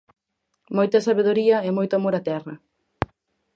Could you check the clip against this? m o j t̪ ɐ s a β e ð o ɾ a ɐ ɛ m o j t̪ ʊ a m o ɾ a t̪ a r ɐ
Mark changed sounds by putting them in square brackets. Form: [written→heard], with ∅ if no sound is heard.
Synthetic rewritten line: m o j t̪ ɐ s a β e ð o ɾ [a→i] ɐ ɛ m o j t̪ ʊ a m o ɾ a t̪ [a→ɛ] r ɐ